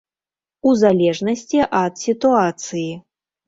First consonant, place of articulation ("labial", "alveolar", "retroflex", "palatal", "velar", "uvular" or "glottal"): alveolar